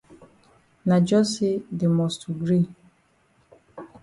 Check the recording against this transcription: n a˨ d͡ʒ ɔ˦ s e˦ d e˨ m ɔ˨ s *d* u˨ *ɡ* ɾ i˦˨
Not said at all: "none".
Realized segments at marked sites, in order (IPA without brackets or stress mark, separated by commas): t, ɡ